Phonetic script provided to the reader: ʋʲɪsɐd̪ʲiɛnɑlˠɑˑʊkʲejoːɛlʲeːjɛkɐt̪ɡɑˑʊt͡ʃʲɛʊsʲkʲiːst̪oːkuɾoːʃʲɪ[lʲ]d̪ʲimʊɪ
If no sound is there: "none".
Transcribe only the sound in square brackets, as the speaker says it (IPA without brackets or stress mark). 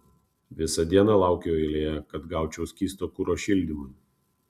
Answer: lʲ